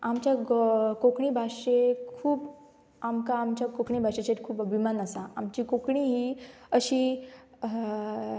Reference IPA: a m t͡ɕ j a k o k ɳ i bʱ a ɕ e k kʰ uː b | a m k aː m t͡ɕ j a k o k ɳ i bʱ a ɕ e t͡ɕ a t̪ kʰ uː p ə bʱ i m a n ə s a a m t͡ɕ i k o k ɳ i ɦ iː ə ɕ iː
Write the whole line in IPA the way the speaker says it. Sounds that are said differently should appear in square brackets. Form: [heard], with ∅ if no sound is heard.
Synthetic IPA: a m t͡ɕ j a k o k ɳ i bʱ a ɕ e k kʰ uː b | a m k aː m t͡ɕ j a k o k ɳ i bʱ a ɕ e t͡ɕ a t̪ kʰ uː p ə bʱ i m a n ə s a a m t͡ɕ i k o k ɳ i ɦ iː ə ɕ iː